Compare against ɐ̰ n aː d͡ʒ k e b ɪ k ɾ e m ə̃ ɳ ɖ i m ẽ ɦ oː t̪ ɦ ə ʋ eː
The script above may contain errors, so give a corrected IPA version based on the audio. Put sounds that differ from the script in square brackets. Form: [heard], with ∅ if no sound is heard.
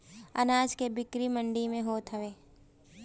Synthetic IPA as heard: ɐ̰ n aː d͡ʒ k e b ɪ k ɾ [i] m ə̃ ɳ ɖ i m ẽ ɦ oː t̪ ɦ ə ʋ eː